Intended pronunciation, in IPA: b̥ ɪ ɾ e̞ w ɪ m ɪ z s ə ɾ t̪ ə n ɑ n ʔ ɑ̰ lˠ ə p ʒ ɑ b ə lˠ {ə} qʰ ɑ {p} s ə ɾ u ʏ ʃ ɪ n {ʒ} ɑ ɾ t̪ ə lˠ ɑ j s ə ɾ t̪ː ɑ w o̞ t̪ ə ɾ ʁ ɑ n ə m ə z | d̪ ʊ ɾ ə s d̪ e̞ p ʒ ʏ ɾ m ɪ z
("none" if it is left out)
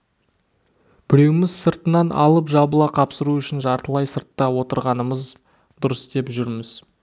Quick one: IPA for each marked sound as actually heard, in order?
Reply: ɑ, p, ʒ

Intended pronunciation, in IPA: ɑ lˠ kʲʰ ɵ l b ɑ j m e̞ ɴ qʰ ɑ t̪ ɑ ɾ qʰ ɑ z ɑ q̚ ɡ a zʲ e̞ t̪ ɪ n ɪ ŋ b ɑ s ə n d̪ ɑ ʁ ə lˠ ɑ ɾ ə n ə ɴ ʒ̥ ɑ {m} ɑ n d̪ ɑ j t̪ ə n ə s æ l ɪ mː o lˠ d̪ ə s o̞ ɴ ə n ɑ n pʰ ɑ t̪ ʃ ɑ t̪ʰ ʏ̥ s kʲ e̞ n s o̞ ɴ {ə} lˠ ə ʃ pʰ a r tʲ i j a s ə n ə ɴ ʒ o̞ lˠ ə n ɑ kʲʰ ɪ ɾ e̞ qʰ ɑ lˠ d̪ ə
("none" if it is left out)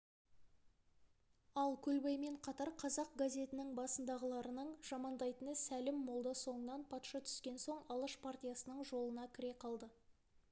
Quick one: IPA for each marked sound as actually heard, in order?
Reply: m, ɑ

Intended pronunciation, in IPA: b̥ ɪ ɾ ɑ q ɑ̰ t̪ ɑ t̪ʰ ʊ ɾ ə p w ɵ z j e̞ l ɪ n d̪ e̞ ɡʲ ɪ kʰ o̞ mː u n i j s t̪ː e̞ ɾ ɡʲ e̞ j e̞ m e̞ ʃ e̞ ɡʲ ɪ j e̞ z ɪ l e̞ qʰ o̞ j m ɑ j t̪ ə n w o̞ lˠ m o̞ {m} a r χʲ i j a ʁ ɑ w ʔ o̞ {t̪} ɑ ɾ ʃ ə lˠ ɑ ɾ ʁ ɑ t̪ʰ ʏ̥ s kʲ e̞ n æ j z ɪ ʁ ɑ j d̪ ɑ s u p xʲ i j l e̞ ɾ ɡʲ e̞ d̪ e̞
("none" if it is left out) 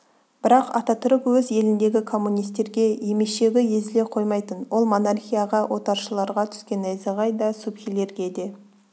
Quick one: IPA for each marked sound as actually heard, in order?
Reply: n, t̪

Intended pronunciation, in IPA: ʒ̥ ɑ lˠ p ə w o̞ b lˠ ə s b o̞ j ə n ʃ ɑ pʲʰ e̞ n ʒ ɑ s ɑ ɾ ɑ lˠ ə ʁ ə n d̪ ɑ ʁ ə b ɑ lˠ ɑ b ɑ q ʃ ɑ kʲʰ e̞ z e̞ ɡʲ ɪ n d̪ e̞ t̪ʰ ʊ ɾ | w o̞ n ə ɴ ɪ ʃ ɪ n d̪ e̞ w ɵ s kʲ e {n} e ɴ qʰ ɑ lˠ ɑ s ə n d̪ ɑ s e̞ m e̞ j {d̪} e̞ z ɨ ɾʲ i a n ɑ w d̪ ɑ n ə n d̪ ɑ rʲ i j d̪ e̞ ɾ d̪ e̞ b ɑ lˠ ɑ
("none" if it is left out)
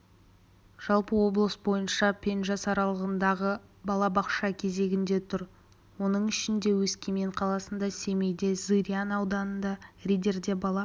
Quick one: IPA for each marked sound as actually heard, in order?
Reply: m, d̪

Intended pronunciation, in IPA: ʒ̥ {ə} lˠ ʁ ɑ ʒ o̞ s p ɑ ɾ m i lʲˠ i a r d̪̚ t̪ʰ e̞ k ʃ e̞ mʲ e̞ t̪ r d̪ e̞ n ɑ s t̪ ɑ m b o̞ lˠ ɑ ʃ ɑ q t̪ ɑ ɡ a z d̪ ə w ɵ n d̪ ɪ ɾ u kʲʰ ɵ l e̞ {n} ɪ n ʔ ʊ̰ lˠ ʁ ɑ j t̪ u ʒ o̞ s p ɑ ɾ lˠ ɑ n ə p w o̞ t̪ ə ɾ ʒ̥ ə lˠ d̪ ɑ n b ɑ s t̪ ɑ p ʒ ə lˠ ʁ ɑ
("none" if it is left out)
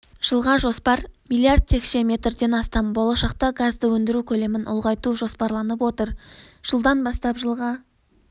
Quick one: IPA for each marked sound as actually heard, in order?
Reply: ə, m

